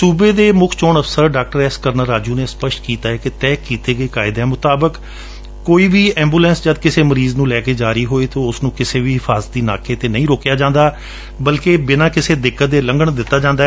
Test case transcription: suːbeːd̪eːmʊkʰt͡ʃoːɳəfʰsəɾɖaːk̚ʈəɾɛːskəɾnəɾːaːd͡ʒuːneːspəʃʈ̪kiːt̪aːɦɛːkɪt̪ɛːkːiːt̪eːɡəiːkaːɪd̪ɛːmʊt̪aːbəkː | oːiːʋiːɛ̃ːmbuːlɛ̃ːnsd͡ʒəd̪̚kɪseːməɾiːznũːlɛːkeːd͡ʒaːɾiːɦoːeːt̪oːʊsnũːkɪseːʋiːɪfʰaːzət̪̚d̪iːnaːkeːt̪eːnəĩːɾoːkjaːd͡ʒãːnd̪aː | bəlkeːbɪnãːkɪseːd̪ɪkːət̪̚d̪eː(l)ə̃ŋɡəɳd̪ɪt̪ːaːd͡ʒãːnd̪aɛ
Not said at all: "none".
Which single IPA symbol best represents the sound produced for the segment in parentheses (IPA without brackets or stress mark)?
l